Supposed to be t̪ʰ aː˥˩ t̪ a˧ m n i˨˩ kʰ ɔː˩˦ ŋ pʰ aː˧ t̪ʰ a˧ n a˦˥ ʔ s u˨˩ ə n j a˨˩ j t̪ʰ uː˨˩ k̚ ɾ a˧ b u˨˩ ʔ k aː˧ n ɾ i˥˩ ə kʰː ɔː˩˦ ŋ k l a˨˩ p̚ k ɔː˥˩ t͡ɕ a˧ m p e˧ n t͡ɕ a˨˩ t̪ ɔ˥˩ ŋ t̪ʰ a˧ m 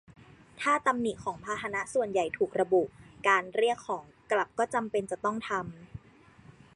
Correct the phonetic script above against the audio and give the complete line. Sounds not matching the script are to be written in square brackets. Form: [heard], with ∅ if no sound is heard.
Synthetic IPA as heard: t̪ʰ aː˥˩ t̪ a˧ m n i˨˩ kʰ ɔː˩˦ ŋ pʰ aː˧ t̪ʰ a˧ n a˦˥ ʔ s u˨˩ ə n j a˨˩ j t̪ʰ uː˨˩ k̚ ɾ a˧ b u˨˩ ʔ k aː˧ n ɾ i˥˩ ə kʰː ɔː˩˦ ŋ k l a˨˩ p̚ k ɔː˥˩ t͡ɕ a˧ m p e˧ n t͡ɕ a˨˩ t̪ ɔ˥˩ ŋ t̪ʰ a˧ m